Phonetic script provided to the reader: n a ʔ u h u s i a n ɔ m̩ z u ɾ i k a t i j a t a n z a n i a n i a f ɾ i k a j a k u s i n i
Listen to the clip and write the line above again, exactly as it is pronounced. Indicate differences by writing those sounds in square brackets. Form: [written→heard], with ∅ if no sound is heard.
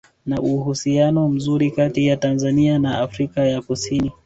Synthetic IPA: n a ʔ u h u s i a n ɔ m̩ z u ɾ i k a t i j a t a n z a n i a n [i→a] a f ɾ i k a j a k u s i n i